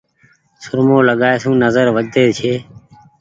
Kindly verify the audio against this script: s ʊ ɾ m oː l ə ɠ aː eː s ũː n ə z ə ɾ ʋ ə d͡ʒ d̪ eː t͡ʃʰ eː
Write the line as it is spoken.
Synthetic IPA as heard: s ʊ ɾ m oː l ə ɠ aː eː s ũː n ə z ə ɾ ʋ ə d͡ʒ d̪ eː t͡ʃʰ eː